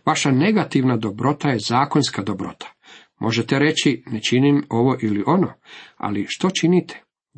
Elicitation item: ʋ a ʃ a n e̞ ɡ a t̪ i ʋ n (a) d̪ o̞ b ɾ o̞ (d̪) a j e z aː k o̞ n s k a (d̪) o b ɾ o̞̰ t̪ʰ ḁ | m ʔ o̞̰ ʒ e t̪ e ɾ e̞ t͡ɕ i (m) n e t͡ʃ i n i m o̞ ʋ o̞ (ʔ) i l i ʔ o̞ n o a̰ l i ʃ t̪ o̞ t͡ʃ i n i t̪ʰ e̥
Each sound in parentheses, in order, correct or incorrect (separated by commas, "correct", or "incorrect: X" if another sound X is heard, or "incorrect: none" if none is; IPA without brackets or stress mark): correct, incorrect: t̪, correct, incorrect: none, correct